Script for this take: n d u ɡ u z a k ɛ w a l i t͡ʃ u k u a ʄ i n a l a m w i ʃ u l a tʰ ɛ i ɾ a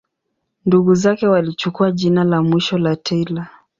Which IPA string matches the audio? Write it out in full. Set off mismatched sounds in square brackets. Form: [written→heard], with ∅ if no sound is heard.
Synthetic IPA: n d u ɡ u z a k ɛ w a l i t͡ʃ u k u a ʄ i n a l a m w i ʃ [u→ɔ] l a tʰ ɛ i [ɾ→l] a